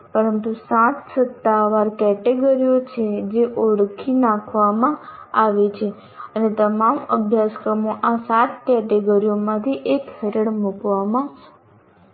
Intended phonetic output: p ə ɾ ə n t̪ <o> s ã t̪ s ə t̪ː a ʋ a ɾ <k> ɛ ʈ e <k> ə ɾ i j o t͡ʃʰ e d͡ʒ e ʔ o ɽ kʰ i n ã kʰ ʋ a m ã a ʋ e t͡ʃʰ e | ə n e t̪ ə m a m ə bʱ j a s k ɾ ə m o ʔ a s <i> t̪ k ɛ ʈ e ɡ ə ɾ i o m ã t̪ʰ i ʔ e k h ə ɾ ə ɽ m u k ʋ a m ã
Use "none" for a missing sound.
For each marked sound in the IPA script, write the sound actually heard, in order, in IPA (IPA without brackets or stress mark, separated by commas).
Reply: u, k, ɡ, a